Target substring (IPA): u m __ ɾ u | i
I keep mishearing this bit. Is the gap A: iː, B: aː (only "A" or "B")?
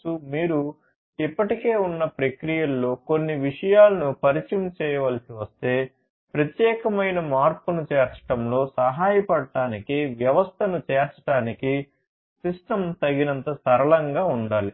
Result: A